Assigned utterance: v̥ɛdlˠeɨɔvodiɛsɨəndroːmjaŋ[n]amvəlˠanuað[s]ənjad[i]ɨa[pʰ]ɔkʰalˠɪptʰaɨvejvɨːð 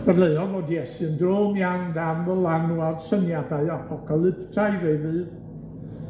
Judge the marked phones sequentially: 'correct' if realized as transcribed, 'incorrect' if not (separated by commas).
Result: incorrect, correct, incorrect, correct